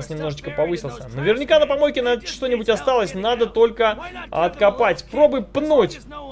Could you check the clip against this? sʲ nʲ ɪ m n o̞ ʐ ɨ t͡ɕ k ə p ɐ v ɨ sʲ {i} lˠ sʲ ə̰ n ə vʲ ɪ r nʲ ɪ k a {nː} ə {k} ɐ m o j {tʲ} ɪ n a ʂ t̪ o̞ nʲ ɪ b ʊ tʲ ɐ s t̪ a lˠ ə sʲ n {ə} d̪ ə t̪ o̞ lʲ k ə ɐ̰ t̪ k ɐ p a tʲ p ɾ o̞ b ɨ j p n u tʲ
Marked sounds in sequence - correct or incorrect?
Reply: incorrect: ɪ, incorrect: n, incorrect: p, incorrect: kʲ, incorrect: a

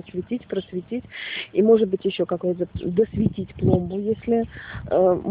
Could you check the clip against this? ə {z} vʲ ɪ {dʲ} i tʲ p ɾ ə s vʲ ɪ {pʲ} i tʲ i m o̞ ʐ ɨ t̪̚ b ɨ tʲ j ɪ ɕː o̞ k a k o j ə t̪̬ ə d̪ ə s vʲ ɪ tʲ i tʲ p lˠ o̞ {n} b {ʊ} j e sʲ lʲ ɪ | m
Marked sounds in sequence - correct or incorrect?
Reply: incorrect: s, incorrect: tʲ, incorrect: tʲ, incorrect: m, correct

